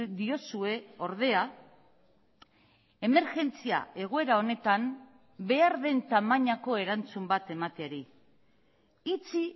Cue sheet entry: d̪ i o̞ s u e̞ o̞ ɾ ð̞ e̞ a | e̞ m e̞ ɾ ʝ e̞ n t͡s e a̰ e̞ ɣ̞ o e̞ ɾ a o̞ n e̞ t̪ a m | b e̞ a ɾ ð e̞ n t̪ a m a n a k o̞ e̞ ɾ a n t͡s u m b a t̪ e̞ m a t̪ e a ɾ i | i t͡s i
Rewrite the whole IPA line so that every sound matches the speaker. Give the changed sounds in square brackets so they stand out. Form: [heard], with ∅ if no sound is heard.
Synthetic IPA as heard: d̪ i o̞ s u e̞ o̞ ɾ ð̞ e̞ a | e̞ m e̞ ɾ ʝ e̞ n t͡s [i] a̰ e̞ ɣ̞ o e̞ ɾ a o̞ n e̞ t̪ a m | b e̞ a ɾ ð e̞ n t̪ a m a [ɲ] a k o̞ e̞ ɾ a n t͡s u m b a t̪ e̞ m a t̪ e a ɾ i | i t͡s i

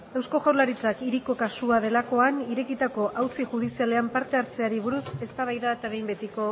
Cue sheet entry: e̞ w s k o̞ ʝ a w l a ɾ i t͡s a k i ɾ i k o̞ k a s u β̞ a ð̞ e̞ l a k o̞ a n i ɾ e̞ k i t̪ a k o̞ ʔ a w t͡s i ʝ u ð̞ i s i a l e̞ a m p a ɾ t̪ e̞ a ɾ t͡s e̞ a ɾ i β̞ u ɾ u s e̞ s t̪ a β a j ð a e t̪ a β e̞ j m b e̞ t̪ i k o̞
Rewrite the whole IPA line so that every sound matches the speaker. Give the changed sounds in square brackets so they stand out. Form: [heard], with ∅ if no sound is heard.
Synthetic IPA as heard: e̞ w s k o̞ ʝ a w l a ɾ i t͡s a k i ɾ i k o̞ k a s u [∅] a ð̞ e̞ l a k o̞ a n i ɾ e̞ k i t̪ a k o̞ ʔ a w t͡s i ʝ u ð̞ i s i a l e̞ a m p a ɾ t̪ e̞ a ɾ t͡s e̞ a ɾ i β̞ u ɾ u s e̞ s t̪ a β a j ð a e t̪ a β e̞ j m b e̞ t̪ i k o̞

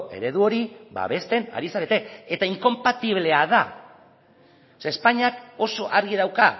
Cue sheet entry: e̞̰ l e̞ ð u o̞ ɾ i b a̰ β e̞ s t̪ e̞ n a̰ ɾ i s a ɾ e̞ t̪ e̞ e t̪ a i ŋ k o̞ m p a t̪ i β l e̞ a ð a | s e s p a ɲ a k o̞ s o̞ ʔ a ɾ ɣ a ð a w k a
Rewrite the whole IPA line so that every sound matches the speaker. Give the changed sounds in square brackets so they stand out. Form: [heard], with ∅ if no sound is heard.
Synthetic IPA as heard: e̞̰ [ɾ] e̞ ð u o̞ ɾ i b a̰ β e̞ s t̪ e̞ n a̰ ɾ i s a ɾ e̞ t̪ e̞ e t̪ a i ŋ k o̞ m p a t̪ i β l e̞ a ð a | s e s p a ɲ a k o̞ s o̞ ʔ a ɾ ɣ [i] ð a w k a

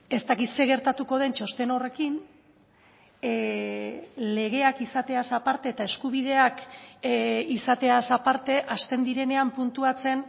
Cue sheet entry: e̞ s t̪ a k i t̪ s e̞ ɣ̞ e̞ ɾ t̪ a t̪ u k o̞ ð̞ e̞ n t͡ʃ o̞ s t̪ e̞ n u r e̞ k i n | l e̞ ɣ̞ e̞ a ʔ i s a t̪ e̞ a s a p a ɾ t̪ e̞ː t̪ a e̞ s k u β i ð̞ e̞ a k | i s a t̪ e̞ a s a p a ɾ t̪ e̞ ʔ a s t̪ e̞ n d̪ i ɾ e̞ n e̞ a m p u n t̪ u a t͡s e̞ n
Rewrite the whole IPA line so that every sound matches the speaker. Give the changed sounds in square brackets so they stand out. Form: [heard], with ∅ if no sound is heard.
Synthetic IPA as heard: e̞ s t̪ a k i t̪ s e̞ ɣ̞ e̞ ɾ t̪ a t̪ u k o̞ ð̞ e̞ n t͡ʃ o̞ s t̪ e̞ n [o] r e̞ k i n | l e̞ ɣ̞ e̞ a [k] i s a t̪ e̞ a s a p a ɾ t̪ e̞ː t̪ a e̞ s k u β i ð̞ e̞ a k | i s a t̪ e̞ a s a p a ɾ t̪ e̞ ʔ a s t̪ e̞ n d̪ i ɾ e̞ n e̞ a m p u n t̪ u a t͡s e̞ n

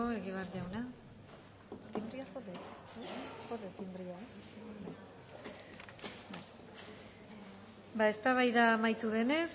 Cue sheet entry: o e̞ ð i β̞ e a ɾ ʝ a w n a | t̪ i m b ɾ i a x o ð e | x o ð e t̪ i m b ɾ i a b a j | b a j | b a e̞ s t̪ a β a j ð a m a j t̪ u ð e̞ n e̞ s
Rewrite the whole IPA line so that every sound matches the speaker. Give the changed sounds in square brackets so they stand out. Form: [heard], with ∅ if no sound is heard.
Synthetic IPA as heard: o e̞ [ɣ] i β̞ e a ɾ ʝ a w n a | t̪ i m b ɾ i a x o ð e | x o ð e t̪ i m b ɾ i a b a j | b a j | b a e̞ s t̪ a β a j ð a m a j t̪ u ð e̞ n e̞ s

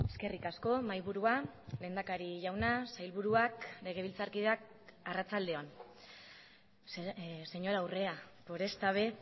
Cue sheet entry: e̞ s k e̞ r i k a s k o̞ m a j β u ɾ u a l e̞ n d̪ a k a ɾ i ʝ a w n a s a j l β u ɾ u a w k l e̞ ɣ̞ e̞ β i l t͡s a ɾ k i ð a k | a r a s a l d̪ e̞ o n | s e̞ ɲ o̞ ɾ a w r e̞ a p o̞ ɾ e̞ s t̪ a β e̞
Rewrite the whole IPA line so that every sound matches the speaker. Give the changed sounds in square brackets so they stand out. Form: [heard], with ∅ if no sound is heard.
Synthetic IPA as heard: e̞ s k e̞ r i k a s k o̞ m a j β u ɾ u a l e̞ n d̪ a k a ɾ i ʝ a w n a s a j l β u ɾ u a [∅] k l e̞ ɣ̞ e̞ β i l t͡s a ɾ k i ð a k | a r a [t͡s] a l d̪ e̞ o n | s e̞ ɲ o̞ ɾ a w r e̞ a p o̞ ɾ e̞ s t̪ a β e̞

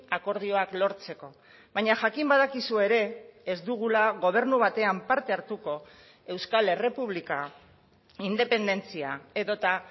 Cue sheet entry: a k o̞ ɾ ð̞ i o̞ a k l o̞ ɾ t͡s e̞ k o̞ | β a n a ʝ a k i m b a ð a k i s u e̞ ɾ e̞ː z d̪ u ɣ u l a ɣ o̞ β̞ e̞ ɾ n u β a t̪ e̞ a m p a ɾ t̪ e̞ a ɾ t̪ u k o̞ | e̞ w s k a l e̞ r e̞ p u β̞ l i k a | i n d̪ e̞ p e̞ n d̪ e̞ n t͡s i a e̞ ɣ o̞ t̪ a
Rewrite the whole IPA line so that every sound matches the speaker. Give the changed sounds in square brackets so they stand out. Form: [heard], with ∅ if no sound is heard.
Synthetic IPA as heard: a k o̞ ɾ ð̞ i o̞ a k l o̞ ɾ t͡s e̞ k o̞ | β a [ɲ] a ʝ a k i m b a ð a k i s u e̞ ɾ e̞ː z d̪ u ɣ u l a ɣ o̞ β̞ e̞ ɾ n u β a t̪ e̞ a m p a ɾ t̪ e̞ a ɾ t̪ u k o̞ | e̞ w s k a l e̞ r e̞ p u β̞ l i k a | i n d̪ e̞ p e̞ n d̪ e̞ n t͡s i a e̞ [ð] o̞ t̪ a

